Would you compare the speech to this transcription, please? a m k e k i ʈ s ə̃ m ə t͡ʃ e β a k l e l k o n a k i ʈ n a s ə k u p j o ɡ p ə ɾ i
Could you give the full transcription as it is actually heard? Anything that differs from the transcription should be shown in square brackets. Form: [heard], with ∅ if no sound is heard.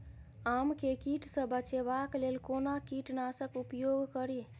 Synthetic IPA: a m k e k i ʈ s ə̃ [b] ə t͡ʃ e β a k l e l k o n a k i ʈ n a s ə k u p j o ɡ [k] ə ɾ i